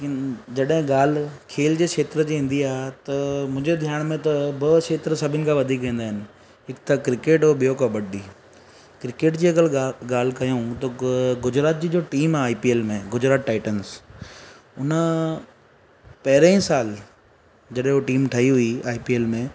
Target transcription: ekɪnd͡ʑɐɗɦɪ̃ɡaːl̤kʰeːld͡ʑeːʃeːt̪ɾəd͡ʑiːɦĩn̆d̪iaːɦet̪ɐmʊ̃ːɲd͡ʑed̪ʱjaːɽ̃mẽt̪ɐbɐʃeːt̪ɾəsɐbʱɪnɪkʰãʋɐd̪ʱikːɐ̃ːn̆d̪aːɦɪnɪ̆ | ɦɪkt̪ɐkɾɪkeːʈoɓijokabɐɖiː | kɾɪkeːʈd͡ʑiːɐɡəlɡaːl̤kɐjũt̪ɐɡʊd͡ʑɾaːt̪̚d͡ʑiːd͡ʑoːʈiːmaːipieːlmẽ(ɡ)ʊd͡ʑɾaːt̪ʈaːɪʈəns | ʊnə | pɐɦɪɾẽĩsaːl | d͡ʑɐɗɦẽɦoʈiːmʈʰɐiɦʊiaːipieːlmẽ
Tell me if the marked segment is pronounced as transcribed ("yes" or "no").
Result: yes